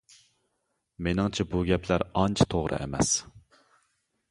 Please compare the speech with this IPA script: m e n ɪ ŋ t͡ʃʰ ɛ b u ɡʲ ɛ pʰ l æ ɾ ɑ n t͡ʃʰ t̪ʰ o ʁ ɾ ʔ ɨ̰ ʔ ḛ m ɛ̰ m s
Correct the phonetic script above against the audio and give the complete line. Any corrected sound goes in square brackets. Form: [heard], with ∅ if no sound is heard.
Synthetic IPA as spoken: m e n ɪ ŋ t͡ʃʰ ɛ b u ɡʲ ɛ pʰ l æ ɾ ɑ n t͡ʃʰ t̪ʰ o ʁ ɾ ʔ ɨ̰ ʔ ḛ m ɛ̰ [∅] s